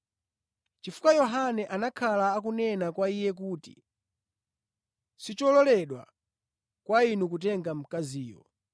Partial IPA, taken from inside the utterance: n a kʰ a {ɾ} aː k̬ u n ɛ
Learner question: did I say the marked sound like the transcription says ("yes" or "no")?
no